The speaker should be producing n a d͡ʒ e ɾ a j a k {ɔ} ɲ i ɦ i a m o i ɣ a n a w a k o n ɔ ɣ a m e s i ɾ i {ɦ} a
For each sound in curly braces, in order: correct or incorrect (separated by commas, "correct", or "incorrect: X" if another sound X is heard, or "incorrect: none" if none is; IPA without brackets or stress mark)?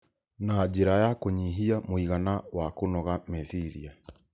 incorrect: o, incorrect: none